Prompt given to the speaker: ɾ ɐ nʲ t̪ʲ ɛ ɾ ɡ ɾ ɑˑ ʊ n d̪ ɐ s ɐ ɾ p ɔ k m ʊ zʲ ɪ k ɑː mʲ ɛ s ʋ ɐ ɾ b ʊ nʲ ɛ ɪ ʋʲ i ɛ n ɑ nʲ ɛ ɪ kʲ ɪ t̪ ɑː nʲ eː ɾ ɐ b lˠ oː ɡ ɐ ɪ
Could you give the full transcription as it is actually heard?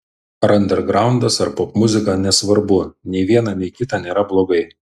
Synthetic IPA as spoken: ɾ ɐ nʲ d̪ʲ ɛ ɾ ɡ ɾ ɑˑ ʊ n d̪ ɐ s ɐ ɾ p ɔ p m ʊ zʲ ɪ k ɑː nʲ ɛ s ʋ ɐ ɾ b ʊ nʲ ɛ ɪ ʋʲ i ɛ n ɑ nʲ ɛ ɪ kʲ ɪ t̪ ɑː nʲ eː ɾ ɐ b lˠ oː ɡ ɐ ɪ